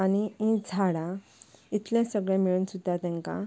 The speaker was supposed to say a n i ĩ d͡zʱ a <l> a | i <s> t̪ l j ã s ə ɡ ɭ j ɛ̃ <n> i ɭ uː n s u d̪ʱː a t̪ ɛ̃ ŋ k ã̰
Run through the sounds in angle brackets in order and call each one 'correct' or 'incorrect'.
incorrect, incorrect, incorrect

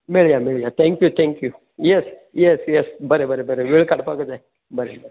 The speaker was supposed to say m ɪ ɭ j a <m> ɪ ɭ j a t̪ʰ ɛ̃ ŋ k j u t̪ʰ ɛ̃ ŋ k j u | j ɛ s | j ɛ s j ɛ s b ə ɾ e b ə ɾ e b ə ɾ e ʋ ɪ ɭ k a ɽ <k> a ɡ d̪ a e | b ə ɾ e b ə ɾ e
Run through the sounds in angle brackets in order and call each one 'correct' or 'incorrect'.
correct, incorrect

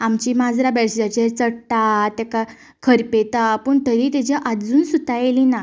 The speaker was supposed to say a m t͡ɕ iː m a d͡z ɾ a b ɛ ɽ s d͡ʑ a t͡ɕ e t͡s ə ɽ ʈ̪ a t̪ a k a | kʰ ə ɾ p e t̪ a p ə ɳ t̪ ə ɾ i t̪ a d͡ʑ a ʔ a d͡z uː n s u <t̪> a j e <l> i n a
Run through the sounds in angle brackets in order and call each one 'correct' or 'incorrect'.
correct, correct

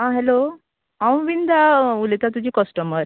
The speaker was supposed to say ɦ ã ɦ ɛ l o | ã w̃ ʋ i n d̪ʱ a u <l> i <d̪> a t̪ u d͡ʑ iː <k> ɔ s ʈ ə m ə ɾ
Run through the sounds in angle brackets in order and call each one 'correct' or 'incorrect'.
correct, incorrect, correct

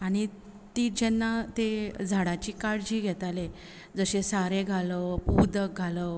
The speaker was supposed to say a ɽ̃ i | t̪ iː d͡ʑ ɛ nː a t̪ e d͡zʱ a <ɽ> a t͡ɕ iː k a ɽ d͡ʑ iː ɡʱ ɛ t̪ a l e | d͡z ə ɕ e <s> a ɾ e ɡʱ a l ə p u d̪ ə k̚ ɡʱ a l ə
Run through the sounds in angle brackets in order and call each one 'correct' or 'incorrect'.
correct, correct

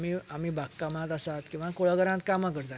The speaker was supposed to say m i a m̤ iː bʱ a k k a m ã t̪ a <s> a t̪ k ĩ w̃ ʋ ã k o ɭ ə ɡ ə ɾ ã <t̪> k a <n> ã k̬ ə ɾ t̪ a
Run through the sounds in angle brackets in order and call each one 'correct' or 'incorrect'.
correct, correct, incorrect

